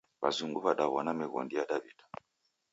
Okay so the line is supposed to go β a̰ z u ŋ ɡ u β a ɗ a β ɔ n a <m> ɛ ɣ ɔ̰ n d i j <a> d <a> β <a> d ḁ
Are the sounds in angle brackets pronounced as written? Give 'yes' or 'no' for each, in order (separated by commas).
yes, yes, yes, no